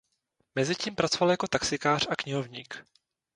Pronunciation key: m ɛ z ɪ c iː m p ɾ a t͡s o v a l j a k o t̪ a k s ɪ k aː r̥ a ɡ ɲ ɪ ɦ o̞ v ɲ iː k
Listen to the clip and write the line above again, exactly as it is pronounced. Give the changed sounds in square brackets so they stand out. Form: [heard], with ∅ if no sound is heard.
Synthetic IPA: m ɛ z ɪ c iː m p ɾ a t͡s o v a l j a k o t̪ a k s ɪ k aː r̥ a [k] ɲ ɪ ɦ o̞ v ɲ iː k